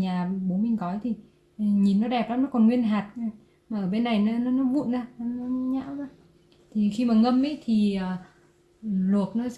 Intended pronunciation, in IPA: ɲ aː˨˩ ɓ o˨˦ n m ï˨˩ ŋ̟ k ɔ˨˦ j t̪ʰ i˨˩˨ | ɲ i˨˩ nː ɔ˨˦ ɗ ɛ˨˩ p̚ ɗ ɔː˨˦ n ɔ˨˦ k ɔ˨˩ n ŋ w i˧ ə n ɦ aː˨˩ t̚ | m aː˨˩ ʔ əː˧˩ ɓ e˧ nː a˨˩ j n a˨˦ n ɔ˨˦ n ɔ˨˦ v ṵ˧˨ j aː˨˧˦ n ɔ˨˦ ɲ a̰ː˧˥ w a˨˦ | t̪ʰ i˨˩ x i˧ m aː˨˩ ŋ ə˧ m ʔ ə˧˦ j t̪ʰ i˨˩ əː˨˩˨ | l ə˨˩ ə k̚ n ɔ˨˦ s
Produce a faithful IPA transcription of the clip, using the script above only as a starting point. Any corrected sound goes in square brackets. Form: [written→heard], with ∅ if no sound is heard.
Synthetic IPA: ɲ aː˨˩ ɓ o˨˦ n m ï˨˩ ŋ̟ k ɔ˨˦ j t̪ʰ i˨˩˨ | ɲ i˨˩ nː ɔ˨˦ ɗ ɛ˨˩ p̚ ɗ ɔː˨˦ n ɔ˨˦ k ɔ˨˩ n ŋ w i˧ ə n ɦ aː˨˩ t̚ | m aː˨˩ ʔ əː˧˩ ɓ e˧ nː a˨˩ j n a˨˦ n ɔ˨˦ n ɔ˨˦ v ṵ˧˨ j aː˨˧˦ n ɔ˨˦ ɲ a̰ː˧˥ w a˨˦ | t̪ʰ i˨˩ x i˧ m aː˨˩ ŋ ə˧ m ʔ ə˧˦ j t̪ʰ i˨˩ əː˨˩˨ | l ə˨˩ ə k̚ n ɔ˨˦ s

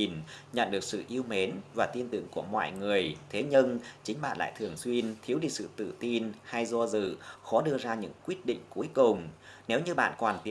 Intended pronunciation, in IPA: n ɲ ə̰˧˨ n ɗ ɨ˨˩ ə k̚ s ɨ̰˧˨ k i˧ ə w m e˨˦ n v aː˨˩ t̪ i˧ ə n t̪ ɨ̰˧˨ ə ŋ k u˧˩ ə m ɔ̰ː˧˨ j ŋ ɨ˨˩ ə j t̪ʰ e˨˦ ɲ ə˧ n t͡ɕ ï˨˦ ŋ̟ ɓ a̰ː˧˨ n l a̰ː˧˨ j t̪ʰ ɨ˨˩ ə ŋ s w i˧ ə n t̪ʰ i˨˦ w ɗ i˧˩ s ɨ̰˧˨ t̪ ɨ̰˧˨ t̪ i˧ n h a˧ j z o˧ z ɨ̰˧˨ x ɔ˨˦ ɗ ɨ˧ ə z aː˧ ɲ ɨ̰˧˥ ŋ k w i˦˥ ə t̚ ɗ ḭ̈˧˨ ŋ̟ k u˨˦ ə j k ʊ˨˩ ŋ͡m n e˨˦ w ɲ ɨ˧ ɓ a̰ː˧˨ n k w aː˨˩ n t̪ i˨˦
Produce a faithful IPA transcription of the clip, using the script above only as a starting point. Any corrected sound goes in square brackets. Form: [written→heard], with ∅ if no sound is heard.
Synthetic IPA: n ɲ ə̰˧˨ n ɗ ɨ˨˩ ə k̚ s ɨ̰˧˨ [k→ʔ] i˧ ə w m e˨˦ n v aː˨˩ t̪ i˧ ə n t̪ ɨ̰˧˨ ə ŋ k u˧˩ ə m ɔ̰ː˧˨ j ŋ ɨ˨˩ ə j t̪ʰ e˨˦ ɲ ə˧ n t͡ɕ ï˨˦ ŋ̟ ɓ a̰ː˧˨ n l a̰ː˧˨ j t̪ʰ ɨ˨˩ ə ŋ s w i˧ ə n t̪ʰ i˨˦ w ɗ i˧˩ s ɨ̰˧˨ t̪ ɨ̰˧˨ t̪ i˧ n h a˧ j z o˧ z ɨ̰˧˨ x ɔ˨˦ ɗ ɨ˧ ə z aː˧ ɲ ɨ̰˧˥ ŋ k w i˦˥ ə t̚ ɗ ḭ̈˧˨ ŋ̟ k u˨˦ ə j k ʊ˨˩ ŋ͡m n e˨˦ w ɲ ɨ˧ ɓ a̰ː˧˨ n k w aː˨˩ n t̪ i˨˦

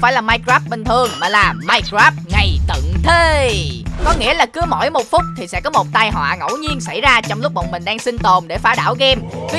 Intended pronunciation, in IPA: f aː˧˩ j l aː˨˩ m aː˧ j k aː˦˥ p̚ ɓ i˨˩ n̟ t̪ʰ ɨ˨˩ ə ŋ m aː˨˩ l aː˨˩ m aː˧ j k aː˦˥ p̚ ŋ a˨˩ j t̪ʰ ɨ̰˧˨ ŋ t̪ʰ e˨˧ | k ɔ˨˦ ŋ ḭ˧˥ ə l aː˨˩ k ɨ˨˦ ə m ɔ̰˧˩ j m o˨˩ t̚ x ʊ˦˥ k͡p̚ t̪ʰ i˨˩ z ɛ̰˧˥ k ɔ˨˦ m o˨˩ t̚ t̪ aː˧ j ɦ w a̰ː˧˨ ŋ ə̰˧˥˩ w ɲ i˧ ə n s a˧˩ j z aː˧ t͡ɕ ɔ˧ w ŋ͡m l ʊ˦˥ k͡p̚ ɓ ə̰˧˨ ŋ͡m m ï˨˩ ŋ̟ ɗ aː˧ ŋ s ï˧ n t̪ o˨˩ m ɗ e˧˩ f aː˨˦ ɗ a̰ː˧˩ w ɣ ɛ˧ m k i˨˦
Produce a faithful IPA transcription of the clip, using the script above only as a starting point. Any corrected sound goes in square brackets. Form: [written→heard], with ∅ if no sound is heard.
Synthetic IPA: f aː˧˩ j l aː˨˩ m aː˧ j k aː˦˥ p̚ ɓ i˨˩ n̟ t̪ʰ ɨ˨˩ ə ŋ m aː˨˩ l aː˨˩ m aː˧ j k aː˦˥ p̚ ŋ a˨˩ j [t̪ʰ→t̪] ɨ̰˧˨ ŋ t̪ʰ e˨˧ | k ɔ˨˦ ŋ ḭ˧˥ ə l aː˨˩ k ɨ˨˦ ə m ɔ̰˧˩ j m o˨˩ t̚ [x→f] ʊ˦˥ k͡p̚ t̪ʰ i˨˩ [z→s] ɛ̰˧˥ k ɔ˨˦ m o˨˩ t̚ t̪ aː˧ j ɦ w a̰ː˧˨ ŋ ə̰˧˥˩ w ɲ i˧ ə n s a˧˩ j z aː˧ t͡ɕ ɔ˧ w ŋ͡m l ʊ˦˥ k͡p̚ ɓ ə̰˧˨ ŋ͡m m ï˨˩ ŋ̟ ɗ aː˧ ŋ s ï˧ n t̪ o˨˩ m ɗ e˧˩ f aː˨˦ ɗ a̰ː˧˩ w ɣ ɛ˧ m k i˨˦

